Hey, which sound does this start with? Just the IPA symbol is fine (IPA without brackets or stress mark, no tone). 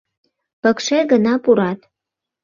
p